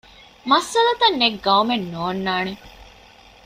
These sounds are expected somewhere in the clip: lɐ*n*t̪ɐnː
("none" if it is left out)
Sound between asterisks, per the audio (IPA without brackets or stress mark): none